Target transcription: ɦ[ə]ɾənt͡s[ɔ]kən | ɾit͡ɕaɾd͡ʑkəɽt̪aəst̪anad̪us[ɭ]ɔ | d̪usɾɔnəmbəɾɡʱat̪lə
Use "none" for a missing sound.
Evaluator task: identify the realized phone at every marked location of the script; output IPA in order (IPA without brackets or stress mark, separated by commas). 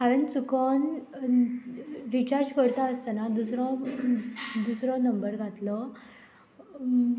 a, u, ɾ